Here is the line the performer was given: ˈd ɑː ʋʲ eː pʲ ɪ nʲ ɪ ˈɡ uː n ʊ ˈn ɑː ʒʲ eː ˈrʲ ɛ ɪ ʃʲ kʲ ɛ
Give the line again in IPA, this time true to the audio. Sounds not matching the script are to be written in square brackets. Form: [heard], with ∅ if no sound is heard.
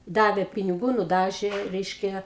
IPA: ˈd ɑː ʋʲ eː pʲ ɪ nʲ ɪ ˈɡ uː n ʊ [ˈd] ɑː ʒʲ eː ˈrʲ ɛ ɪ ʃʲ kʲ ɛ